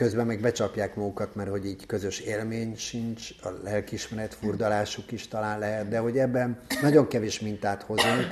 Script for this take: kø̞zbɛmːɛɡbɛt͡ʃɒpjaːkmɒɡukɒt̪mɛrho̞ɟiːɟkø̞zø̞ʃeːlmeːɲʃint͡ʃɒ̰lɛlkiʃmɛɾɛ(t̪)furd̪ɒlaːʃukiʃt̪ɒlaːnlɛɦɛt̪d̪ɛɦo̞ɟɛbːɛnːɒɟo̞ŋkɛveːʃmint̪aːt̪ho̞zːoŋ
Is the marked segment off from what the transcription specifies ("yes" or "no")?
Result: no